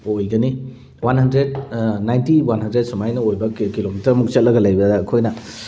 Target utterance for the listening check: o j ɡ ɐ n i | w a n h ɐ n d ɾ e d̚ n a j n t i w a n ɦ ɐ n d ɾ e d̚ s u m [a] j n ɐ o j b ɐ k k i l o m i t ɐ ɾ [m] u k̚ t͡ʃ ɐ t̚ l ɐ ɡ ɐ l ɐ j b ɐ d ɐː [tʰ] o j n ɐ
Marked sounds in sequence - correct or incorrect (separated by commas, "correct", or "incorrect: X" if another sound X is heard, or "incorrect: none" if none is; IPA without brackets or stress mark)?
correct, correct, incorrect: kʰ